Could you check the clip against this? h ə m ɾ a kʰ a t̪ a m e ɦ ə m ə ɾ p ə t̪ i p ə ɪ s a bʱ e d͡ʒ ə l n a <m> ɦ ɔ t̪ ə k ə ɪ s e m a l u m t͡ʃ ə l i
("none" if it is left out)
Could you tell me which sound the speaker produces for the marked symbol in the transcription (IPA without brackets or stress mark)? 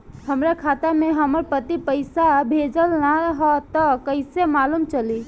none